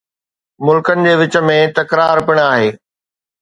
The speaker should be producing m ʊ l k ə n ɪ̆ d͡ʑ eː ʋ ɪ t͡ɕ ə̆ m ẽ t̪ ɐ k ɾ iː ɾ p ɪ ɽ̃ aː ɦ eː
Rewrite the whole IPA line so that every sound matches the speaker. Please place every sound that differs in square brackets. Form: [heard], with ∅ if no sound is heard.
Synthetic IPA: m ʊ l k ə n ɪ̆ d͡ʑ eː ʋ ɪ t͡ɕ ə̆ m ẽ t̪ ɐ k ɾ [aː] ɾ p ɪ ɽ̃ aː ɦ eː